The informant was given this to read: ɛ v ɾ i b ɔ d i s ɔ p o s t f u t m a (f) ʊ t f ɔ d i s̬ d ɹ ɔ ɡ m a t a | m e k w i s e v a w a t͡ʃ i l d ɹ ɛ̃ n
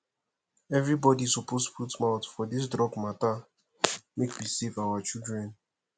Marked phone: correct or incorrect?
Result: incorrect: none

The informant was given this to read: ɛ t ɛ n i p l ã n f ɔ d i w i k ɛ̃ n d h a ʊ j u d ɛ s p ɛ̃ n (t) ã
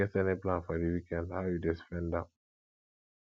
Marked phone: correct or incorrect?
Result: incorrect: d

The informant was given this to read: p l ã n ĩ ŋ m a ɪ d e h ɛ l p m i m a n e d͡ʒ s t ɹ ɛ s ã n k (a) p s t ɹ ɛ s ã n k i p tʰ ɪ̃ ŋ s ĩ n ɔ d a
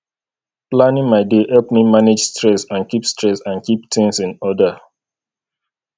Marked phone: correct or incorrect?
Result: incorrect: i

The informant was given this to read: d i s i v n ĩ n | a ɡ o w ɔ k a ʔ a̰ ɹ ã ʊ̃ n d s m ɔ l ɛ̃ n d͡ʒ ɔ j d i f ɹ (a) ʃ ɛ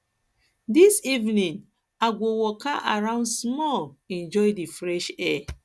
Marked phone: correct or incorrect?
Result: incorrect: ɛ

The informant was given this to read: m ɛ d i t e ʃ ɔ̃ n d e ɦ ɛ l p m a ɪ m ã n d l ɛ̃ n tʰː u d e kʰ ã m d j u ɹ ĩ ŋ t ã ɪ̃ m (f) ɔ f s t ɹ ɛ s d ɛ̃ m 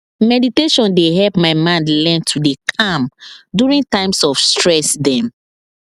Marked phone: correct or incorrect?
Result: incorrect: s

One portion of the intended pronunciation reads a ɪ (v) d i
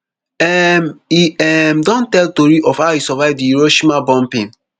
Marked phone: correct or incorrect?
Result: correct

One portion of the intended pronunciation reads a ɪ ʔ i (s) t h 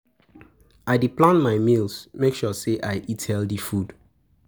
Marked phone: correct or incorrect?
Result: incorrect: none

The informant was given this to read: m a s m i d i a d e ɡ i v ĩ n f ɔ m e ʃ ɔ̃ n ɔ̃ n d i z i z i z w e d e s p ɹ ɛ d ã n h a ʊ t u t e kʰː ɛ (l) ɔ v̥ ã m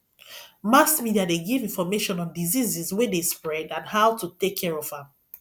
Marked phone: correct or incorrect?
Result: incorrect: ɹ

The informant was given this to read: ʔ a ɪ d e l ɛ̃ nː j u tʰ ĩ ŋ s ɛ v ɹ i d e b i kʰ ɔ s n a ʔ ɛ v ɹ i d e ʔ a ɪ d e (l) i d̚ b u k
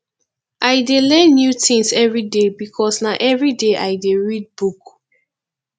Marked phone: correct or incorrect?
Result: incorrect: ɹ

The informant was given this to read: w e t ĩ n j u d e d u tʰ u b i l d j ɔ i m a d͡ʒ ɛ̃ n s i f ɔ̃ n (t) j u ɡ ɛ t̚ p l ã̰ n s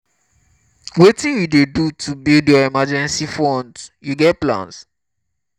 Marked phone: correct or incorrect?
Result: incorrect: d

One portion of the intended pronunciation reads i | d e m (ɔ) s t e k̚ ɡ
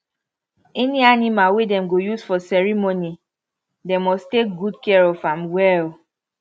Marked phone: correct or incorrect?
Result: correct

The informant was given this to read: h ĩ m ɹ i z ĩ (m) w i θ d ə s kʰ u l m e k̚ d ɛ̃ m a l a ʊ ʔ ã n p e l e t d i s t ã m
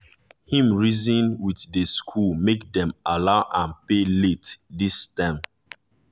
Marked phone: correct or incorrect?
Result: incorrect: n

